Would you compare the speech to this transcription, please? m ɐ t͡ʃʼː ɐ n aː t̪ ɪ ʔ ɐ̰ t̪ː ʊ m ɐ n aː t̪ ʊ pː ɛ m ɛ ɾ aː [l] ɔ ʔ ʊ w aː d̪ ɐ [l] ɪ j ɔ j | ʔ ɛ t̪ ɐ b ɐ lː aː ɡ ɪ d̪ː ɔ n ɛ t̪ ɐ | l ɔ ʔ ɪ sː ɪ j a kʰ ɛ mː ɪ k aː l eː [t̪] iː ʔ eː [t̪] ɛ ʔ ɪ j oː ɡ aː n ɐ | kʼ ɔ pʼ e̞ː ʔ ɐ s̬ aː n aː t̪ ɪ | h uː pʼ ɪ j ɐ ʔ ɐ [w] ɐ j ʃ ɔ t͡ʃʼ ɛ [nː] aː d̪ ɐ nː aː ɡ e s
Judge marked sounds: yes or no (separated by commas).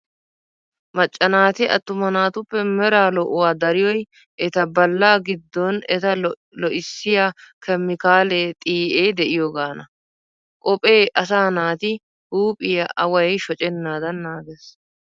yes, no, no, no, yes, yes